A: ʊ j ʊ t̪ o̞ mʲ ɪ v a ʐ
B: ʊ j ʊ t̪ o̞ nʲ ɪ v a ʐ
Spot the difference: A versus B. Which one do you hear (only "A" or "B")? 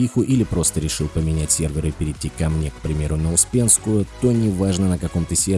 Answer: B